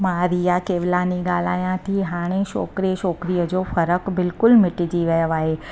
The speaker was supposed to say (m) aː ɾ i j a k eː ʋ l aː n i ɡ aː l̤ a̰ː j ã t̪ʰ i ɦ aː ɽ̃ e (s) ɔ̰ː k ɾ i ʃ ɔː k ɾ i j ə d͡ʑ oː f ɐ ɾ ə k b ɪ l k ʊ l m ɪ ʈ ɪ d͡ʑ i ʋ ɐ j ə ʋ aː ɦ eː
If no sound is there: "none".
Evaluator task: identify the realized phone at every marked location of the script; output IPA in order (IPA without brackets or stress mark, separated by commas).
m, ʃ